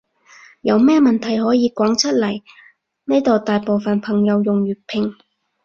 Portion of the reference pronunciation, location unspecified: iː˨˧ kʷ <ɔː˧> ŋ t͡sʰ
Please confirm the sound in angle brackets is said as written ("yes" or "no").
no